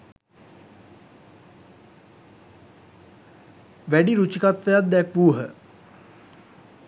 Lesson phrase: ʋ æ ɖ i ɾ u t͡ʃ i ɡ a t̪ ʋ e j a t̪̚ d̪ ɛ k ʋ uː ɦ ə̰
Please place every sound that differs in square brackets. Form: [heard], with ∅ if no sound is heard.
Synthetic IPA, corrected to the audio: ʋ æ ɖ i ɾ u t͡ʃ i [k] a t̪ ʋ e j a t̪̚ d̪ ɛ k ʋ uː ɦ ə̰